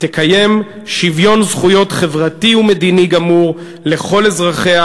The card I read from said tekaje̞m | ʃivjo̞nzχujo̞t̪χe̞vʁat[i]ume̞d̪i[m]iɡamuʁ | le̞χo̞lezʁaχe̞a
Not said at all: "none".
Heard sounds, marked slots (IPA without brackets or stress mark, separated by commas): i, n